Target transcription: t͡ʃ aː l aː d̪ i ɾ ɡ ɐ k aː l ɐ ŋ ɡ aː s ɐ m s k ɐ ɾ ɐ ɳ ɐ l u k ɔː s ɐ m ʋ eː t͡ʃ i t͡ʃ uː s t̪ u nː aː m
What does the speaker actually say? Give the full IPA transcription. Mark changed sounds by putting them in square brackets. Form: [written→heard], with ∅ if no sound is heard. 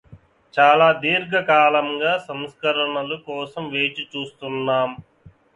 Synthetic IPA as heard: t͡ʃ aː l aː d̪ [i→iː] ɾ ɡ ɐ k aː l ɐ ŋ ɡ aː s ɐ m s k ɐ ɾ ɐ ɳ ɐ l u k ɔː s ɐ m ʋ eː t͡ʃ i t͡ʃ uː s t̪ u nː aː m